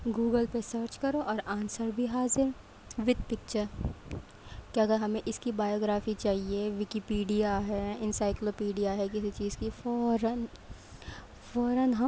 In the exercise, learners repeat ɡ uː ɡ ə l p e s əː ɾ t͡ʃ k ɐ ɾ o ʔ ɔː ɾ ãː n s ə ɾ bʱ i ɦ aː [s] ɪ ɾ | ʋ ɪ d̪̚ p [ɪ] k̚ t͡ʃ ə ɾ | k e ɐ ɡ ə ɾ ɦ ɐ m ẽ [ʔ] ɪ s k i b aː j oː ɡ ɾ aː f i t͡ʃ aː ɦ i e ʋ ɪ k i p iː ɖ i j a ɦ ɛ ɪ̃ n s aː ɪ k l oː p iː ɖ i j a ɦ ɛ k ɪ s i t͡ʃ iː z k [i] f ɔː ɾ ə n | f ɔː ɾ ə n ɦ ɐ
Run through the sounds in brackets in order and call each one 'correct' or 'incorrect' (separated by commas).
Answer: incorrect, correct, correct, correct